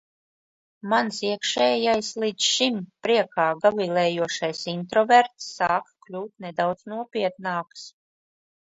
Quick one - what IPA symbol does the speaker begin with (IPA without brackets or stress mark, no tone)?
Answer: m